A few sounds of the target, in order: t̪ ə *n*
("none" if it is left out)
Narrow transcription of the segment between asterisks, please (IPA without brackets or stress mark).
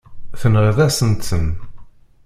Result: n